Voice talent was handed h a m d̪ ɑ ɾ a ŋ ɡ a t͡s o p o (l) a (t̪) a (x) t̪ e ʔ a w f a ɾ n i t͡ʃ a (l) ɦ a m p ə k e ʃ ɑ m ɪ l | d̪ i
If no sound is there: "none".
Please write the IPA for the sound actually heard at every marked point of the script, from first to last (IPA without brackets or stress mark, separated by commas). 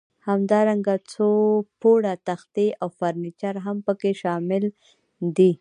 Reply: ɽ, t̪, x, ɾ